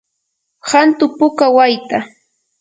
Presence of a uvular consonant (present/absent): absent